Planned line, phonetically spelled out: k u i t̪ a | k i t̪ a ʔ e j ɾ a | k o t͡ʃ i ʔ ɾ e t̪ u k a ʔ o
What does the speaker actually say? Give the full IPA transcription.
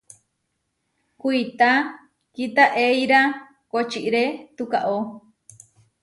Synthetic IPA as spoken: k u i t̪ a | k i t̪ a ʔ e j ɾ a | k o t͡ʃ i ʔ ɾ e t̪ u k a ʔ o